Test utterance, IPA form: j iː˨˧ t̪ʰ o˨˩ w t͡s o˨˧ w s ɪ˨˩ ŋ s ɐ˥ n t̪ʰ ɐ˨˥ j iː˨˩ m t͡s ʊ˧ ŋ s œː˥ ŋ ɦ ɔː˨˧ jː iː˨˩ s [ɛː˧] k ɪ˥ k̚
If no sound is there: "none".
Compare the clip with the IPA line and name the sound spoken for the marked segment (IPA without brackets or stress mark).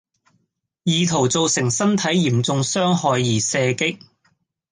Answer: ɛː˧